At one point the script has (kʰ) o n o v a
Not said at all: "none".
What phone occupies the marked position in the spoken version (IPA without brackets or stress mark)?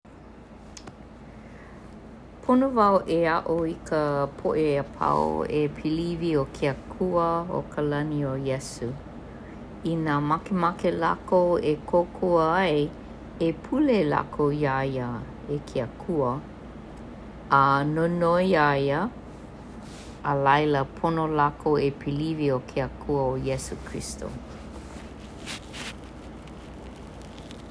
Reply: pʰ